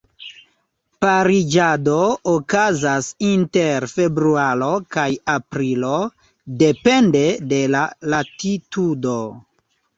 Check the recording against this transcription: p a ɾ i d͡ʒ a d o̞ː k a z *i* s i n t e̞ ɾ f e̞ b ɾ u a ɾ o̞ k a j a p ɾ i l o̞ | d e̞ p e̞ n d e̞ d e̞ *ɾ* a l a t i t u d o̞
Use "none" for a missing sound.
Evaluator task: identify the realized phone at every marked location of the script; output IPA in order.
a, l

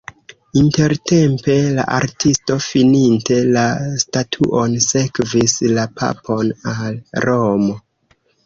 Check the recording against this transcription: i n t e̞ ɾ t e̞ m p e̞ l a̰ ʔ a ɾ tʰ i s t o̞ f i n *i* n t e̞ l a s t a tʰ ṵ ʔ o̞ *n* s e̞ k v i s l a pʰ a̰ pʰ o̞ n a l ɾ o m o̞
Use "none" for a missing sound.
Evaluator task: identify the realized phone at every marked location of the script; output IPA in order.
i, n

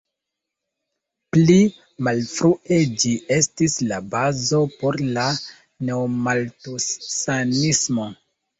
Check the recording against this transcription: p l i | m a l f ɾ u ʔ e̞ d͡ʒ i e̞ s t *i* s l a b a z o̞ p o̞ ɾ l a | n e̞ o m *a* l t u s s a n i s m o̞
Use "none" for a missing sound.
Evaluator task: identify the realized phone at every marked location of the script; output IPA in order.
i, a

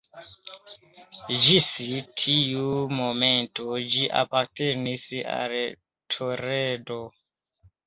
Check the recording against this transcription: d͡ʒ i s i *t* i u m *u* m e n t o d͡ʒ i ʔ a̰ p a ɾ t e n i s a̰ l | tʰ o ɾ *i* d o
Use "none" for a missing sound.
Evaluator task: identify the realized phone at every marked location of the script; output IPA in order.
tʰ, o, e

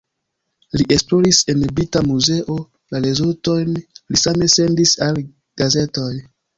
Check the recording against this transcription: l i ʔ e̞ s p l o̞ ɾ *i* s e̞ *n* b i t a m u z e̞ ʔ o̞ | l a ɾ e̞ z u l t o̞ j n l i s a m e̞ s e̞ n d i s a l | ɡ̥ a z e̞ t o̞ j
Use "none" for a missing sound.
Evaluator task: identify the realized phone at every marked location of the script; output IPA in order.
i, n

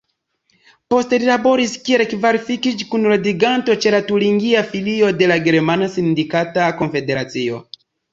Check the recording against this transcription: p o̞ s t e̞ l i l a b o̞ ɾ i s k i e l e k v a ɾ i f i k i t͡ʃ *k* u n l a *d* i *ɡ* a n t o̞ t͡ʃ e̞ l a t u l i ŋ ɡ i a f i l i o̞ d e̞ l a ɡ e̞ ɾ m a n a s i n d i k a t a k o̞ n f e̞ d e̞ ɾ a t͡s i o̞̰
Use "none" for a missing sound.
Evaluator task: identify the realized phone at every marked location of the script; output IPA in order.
k, d, ɡ

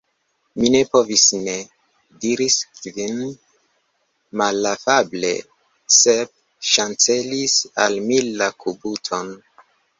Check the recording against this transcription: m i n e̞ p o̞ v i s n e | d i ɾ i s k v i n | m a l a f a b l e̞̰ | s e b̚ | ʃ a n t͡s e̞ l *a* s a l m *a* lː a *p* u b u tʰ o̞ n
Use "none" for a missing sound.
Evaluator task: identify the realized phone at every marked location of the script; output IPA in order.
i, i, k

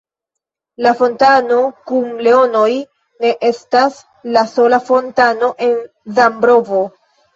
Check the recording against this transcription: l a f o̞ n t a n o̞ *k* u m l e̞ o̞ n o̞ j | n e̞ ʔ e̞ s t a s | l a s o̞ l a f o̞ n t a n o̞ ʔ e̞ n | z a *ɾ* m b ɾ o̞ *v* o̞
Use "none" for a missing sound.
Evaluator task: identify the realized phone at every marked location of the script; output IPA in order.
k, none, v

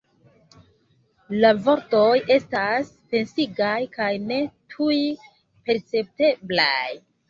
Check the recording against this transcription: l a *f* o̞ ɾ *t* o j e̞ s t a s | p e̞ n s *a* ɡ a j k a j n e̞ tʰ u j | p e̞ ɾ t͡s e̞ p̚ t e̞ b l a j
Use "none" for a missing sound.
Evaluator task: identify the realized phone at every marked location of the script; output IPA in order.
v, t, i

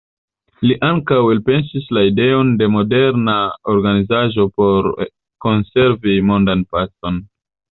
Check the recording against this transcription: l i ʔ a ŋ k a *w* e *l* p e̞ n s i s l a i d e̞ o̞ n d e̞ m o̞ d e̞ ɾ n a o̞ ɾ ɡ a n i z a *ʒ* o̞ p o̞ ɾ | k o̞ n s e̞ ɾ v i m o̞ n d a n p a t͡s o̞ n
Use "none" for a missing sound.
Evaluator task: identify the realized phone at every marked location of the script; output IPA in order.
w, l, ʒ

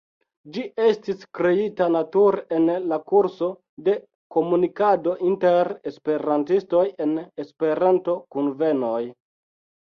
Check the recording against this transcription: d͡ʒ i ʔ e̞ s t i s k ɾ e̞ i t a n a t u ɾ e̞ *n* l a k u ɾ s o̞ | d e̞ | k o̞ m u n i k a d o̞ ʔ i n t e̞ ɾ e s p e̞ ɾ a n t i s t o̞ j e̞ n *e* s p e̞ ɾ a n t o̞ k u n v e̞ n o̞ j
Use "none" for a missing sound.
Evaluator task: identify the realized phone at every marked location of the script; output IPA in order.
n, e

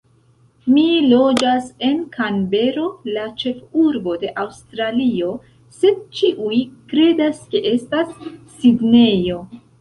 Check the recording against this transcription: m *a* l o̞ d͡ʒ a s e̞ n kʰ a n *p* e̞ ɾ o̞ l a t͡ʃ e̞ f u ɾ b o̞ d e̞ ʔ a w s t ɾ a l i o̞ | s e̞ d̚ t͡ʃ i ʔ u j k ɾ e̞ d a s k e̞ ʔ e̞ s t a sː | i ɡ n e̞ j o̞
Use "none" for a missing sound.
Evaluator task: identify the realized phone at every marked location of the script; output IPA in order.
i, b

